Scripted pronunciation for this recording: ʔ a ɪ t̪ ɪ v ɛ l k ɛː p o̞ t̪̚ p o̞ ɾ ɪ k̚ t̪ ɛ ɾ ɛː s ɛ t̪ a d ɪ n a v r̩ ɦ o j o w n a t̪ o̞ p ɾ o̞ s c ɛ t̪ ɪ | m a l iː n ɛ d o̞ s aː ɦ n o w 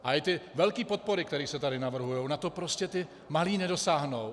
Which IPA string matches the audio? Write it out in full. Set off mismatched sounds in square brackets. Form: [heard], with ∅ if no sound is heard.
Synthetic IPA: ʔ a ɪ t̪ ɪ v ɛ l k [iː] p o̞ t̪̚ p o̞ ɾ ɪ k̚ t̪ ɛ ɾ [iː] s ɛ t̪ a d ɪ n a v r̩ ɦ [u] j o w n a t̪ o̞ p ɾ o̞ s c ɛ t̪ ɪ | m a l iː n ɛ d o̞ s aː ɦ n o w

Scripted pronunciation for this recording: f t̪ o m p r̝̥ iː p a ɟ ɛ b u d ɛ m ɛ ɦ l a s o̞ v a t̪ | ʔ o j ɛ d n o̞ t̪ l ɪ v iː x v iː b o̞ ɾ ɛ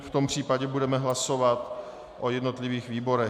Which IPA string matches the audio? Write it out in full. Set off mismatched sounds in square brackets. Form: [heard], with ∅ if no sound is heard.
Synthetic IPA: f t̪ o m p r̝̥ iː p a ɟ ɛ b u d ɛ m ɛ ɦ l a s o̞ v a t̪ | ʔ o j ɛ d n o̞ t̪ l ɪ v iː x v iː b o̞ ɾ ɛ

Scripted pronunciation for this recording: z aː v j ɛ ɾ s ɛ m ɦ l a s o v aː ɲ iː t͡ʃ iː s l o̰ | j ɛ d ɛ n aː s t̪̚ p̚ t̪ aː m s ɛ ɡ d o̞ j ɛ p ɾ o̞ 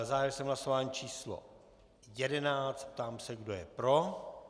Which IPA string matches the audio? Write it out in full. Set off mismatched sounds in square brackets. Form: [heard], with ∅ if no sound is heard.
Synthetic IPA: z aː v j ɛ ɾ s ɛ m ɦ l a s o v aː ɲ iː t͡ʃ iː s l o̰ | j ɛ d ɛ n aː [t͡s] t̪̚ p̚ t̪ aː m s ɛ ɡ d o̞ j ɛ p ɾ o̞

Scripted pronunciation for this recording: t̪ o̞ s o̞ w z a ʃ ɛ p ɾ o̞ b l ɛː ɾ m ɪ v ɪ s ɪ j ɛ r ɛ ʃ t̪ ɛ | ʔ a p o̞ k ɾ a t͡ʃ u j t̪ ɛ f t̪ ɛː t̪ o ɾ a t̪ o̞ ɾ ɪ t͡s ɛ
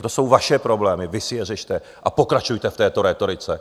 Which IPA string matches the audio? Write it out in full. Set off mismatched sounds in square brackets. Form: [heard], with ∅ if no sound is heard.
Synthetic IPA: t̪ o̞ s o̞ w [v] a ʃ ɛ p ɾ o̞ b l ɛː [∅] m ɪ v ɪ s ɪ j ɛ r ɛ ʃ t̪ ɛ | ʔ a p o̞ k ɾ a t͡ʃ u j t̪ ɛ f t̪ ɛː t̪ o ɾ [ɛ] t̪ o̞ ɾ ɪ t͡s ɛ

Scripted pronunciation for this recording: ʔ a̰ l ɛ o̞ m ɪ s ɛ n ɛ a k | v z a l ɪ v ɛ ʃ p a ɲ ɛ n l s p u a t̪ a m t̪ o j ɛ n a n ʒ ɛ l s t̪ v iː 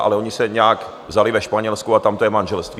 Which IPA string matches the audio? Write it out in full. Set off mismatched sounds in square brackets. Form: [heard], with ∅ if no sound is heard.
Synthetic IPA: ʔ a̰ l ɛ o̞ [ɲ] ɪ s ɛ [ɲ] ɛ a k | v z a l ɪ v ɛ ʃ p a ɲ ɛ [∅] l s [k] u a t̪ a m t̪ o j ɛ [m] a n ʒ ɛ l s t̪ v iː

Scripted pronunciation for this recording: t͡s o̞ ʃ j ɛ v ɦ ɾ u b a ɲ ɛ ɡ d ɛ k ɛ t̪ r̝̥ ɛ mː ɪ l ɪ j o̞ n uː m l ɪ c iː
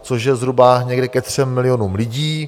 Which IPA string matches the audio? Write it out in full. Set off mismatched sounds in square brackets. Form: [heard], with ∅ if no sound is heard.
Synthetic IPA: t͡s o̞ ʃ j ɛ [z] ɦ ɾ u b a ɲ ɛ ɡ d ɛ k ɛ t̪ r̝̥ ɛ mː ɪ l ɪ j o̞ n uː m l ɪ [ɟ] iː

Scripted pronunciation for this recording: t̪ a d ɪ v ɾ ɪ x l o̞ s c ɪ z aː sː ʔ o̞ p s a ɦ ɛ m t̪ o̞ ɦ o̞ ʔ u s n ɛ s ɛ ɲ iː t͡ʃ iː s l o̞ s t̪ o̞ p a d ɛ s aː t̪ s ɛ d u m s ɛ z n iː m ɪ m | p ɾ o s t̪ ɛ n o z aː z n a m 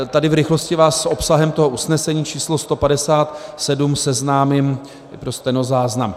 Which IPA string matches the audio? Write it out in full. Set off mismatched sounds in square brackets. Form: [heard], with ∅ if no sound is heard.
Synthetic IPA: t̪ a d ɪ v ɾ ɪ x l o̞ s c ɪ [v] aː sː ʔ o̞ p s a ɦ ɛ m t̪ o̞ ɦ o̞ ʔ u s n ɛ s ɛ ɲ iː t͡ʃ iː s l o̞ s t̪ o̞ p a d ɛ s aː t̪ s ɛ d u m s ɛ z n [aː] m ɪ m | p ɾ o s t̪ ɛ n o z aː z n a m

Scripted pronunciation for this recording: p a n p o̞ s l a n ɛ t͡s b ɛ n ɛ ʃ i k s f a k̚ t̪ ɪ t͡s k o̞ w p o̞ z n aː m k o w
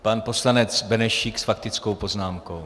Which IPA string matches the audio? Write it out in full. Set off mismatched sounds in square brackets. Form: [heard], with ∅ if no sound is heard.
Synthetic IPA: p a n p o̞ s l a n ɛ t͡s b ɛ n ɛ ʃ i k s f a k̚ t̪ ɪ t͡s k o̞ w p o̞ z n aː m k o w

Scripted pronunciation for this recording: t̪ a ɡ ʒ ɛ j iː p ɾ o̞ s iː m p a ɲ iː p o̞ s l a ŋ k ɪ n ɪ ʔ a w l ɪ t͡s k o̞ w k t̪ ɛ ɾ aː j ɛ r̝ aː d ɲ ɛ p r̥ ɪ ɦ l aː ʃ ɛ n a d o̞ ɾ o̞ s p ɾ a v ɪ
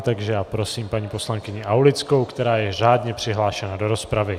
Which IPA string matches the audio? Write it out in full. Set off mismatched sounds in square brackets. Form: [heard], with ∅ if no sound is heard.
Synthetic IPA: t̪ a ɡ ʒ ɛ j [aː] p ɾ o̞ s iː m p a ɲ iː p o̞ s l a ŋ k ɪ [ɲ] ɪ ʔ a w l ɪ t͡s k o̞ w k t̪ ɛ ɾ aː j ɛ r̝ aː d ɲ ɛ p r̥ ɪ ɦ l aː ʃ ɛ n a d o̞ ɾ o̞ s p ɾ a v ɪ

